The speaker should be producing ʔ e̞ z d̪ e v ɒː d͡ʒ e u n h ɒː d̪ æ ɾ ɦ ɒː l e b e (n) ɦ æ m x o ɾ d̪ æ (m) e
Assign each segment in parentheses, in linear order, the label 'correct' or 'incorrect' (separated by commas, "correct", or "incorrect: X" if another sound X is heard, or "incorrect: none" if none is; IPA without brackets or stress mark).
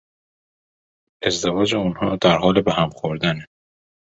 incorrect: none, incorrect: n